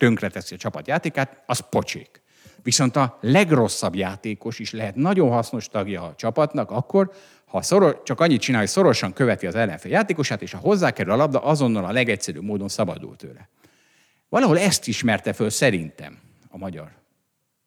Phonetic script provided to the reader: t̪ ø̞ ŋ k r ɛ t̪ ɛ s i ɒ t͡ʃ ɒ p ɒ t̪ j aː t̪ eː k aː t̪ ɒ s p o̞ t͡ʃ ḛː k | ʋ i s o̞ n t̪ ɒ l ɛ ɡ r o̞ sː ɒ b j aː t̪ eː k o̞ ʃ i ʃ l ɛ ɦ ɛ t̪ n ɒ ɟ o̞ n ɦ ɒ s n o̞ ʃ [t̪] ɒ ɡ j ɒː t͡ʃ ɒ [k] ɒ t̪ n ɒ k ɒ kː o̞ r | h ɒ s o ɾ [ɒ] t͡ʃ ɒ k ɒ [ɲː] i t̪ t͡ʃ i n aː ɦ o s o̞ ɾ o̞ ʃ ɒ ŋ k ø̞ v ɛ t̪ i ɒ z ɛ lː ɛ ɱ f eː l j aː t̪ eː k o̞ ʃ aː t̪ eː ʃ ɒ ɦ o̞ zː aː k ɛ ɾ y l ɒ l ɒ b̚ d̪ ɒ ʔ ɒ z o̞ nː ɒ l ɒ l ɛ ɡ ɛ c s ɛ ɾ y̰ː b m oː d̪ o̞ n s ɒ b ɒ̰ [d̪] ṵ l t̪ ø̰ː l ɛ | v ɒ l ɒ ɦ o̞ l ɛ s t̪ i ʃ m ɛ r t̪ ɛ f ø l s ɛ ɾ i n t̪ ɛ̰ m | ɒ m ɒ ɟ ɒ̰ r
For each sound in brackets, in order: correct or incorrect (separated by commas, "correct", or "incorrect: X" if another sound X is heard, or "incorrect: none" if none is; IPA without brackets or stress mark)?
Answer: correct, incorrect: p, incorrect: o, correct, correct